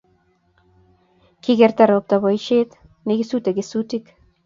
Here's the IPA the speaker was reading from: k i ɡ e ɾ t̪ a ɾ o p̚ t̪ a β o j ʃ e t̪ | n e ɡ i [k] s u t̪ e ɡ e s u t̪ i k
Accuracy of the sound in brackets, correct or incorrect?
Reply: incorrect